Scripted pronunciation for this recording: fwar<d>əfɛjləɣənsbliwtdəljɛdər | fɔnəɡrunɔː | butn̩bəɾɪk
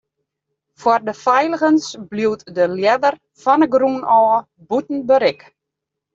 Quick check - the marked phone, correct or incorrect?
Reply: correct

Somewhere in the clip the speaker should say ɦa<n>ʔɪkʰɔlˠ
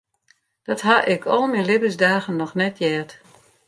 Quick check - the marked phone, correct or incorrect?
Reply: incorrect: none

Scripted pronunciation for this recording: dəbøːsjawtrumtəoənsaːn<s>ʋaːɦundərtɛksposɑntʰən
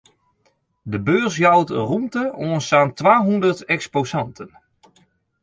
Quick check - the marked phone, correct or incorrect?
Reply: incorrect: t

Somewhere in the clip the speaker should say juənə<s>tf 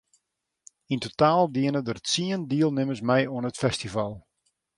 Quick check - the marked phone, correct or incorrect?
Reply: incorrect: none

